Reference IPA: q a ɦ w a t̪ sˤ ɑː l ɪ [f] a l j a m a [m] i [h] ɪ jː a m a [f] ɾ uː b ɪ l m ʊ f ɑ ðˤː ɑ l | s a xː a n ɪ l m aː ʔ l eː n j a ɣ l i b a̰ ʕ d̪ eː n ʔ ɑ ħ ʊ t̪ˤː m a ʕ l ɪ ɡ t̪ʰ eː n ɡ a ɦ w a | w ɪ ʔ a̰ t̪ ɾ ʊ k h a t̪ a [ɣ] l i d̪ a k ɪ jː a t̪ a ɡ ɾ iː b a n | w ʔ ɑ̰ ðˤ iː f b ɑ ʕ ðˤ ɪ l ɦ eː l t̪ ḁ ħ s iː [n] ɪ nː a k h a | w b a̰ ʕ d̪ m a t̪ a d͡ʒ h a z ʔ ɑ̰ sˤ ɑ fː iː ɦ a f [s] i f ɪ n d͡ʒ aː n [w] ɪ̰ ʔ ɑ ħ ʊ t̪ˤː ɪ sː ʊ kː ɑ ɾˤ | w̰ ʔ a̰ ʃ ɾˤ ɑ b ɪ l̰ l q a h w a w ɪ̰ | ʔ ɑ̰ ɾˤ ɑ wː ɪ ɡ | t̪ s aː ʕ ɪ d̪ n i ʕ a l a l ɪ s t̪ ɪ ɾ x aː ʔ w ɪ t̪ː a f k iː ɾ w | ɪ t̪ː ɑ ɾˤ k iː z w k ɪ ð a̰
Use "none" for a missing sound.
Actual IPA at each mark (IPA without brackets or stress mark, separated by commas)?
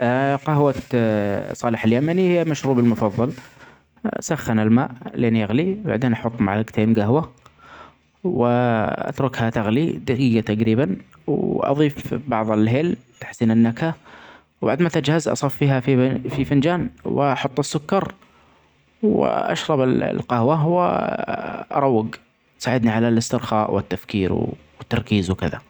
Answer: ħ, n, h, ʃ, ɣ, n, f, w